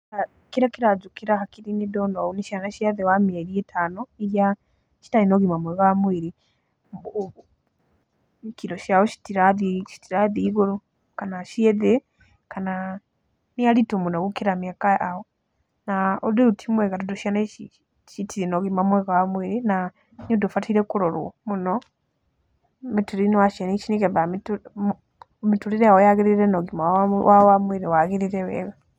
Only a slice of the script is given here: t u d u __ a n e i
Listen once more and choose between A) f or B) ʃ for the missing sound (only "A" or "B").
B